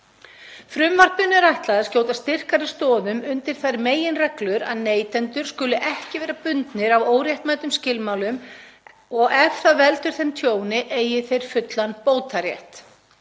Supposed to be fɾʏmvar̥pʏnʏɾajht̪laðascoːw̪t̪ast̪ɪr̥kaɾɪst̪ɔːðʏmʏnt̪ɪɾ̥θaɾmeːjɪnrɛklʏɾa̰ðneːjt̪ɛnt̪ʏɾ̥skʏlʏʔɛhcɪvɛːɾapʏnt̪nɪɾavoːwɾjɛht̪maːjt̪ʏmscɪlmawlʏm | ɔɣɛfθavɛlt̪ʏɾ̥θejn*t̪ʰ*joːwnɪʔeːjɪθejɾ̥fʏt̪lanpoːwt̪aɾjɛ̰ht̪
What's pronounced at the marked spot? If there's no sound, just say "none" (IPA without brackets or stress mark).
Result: t̪ʰ